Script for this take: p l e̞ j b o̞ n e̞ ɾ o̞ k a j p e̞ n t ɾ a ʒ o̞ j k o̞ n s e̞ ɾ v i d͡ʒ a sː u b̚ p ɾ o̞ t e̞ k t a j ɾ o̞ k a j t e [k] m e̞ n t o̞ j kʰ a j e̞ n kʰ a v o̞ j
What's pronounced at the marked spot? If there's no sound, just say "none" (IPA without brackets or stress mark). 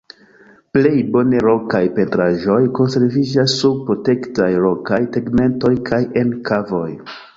ɡ